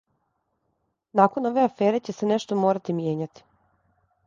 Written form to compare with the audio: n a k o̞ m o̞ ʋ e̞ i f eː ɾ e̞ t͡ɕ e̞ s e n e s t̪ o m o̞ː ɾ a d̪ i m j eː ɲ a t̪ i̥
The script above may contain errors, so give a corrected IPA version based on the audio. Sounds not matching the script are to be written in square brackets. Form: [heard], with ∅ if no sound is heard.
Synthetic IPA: n a k o̞ [n] o̞ ʋ e̞ [a] f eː ɾ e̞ t͡ɕ e̞ s e n e [ʃ] t̪ o m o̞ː ɾ a [t̪] i m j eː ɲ a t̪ i̥

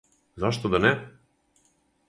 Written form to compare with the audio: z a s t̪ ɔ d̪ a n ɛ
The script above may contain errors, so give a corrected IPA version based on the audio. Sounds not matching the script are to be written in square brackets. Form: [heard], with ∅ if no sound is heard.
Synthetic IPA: z a [ʃ] t̪ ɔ d̪ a n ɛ

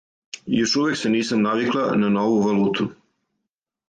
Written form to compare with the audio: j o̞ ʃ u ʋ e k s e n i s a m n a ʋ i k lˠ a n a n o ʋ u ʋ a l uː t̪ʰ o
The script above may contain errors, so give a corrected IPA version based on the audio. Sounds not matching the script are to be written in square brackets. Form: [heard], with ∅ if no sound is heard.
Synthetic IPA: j o̞ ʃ u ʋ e k s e n [iː] s a m n a ʋ i k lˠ a n a n o ʋ u ʋ a l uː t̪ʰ [u]

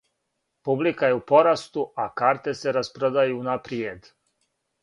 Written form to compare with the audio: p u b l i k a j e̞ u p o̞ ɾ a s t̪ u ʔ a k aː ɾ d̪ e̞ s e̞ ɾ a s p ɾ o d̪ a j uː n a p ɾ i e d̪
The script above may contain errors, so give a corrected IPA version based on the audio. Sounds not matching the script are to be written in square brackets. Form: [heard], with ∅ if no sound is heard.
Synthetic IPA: p u b l i k a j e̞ u p o̞ ɾ a s t̪ u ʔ a k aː ɾ [t̪] e̞ s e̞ ɾ a s p ɾ o d̪ a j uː n a p ɾ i e d̪

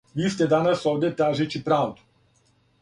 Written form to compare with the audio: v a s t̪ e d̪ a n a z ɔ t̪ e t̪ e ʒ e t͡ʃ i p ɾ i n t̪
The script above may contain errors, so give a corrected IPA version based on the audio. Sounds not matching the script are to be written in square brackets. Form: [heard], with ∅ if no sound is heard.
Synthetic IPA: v [i] s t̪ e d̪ a n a [s] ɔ [d̪] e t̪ [a] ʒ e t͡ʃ i p ɾ [a] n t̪

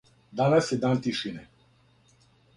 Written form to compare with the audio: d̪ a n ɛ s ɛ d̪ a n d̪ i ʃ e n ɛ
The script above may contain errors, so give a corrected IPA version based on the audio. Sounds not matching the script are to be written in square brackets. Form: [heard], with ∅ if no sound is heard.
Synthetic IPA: d̪ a n [a] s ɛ d̪ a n [t̪] i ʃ [i] n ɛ

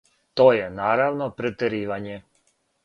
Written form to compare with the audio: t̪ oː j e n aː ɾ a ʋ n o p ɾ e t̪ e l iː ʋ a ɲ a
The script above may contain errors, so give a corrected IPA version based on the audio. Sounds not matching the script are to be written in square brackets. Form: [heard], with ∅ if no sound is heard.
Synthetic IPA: t̪ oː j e n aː ɾ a ʋ n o p ɾ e t̪ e [ɾ] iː ʋ a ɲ [e]

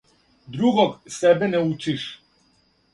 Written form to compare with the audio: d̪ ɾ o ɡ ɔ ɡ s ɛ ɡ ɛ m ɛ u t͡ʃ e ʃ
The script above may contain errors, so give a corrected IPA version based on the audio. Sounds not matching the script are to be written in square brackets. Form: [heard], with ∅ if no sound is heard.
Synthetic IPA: d̪ ɾ [u] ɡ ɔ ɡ s ɛ [b] ɛ [n] ɛ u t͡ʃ [i] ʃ

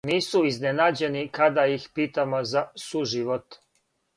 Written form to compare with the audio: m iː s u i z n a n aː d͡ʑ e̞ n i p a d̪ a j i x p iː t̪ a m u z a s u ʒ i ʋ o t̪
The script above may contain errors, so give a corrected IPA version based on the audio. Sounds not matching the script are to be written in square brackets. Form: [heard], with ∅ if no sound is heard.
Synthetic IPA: [n] iː s u i z n [e] n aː d͡ʑ e̞ n i [k] a d̪ a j i x p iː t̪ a m [o] z a s u ʒ i ʋ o t̪

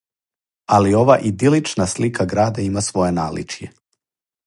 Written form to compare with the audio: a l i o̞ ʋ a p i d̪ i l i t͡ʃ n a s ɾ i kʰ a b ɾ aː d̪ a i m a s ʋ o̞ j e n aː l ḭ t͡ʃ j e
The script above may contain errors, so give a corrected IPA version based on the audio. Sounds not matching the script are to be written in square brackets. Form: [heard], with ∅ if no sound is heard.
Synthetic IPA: a l i o̞ ʋ a [ʔ] i d̪ i l i t͡ʃ n a s [l] i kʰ a [ɡ] ɾ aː d̪ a i m a s ʋ o̞ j e n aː l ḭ t͡ʃ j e

